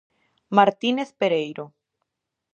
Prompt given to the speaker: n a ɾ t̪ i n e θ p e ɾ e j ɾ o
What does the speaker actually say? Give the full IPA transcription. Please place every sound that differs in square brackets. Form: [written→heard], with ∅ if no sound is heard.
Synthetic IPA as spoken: [n→m] a ɾ t̪ i n e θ p e ɾ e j ɾ o